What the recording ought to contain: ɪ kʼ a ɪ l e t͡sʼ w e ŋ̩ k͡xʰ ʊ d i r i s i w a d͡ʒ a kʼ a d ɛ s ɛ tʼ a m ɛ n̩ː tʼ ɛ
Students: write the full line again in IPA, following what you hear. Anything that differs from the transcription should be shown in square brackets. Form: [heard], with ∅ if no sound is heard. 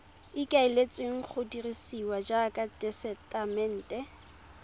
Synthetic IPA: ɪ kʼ a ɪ l e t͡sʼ w e ŋ̩ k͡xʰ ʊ d i r i s i w a d͡ʒ a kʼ a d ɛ s ɛ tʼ a m ɛ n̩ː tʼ ɛ